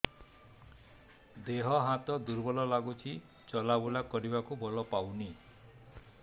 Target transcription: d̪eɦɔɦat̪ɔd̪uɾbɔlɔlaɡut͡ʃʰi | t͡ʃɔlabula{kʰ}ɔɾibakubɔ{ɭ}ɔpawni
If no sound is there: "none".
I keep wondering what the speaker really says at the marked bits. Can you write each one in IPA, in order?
k, l

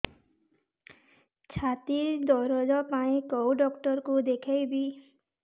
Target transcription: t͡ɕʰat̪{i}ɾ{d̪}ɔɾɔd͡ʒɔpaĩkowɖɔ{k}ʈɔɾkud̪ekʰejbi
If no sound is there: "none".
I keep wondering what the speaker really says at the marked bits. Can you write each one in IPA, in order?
i, d̪, k

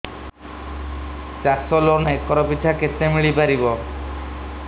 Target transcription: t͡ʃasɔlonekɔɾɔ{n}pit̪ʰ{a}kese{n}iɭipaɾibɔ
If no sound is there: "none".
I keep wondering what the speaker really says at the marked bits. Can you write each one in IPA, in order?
none, a, m

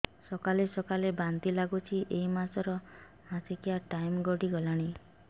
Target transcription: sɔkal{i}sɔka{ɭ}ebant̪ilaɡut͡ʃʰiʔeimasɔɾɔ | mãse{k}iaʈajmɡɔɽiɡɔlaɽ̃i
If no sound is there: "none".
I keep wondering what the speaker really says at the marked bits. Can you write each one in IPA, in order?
e, l, k

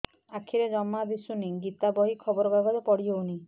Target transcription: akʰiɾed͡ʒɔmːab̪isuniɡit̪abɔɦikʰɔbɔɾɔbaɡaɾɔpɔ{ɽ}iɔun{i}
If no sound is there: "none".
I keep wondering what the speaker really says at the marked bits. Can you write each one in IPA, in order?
ɽ, i

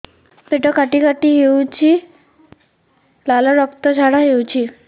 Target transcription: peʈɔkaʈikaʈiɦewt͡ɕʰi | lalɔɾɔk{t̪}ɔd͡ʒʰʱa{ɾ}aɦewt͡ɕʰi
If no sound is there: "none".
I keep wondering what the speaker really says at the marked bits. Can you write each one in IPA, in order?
t̪, ɽ

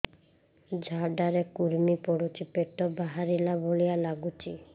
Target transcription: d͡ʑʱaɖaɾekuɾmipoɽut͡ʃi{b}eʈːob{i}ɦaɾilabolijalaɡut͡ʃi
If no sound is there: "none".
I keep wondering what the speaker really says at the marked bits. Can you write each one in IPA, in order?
p, a

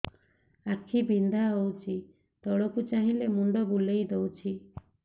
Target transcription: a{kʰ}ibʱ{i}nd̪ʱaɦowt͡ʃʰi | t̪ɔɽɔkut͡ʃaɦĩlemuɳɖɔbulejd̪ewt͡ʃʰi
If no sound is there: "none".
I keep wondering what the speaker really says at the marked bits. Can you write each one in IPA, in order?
kʰ, i

